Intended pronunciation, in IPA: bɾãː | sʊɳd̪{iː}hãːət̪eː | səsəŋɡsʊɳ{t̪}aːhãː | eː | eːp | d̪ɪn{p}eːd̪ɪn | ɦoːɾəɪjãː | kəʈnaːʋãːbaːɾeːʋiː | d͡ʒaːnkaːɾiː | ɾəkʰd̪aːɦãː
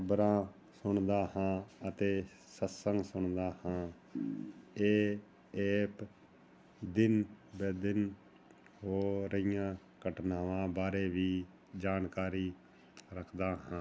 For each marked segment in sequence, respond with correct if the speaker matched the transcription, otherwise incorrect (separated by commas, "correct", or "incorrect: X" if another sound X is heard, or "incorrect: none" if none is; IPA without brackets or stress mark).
incorrect: aː, incorrect: d̪, incorrect: b